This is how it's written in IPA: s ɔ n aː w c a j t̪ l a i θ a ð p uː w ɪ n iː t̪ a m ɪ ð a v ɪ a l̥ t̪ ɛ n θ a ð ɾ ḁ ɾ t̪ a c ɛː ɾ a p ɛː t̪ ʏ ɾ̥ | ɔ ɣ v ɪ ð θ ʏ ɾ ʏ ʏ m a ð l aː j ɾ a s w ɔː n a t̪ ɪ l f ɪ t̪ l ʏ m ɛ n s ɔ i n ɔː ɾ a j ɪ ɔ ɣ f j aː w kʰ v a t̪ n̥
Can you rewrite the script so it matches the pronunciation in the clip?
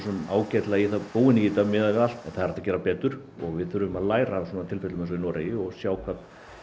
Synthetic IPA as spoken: s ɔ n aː w c a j t̪ l a i θ a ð p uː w ɪ n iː t̪ a m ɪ ð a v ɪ a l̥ t̪ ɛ n θ a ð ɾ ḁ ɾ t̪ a c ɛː ɾ a p ɛː t̪ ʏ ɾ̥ | ɔ ɣ v ɪ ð θ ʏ ɾ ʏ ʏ m a ð l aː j ɾ a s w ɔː n a t̪ʰ ɪ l f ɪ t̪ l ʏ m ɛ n s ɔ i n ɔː ɾ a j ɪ ɔ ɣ s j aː w kʰ v a t̪ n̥